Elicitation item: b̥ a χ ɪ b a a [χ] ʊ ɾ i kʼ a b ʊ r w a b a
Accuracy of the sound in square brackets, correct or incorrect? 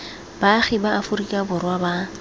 incorrect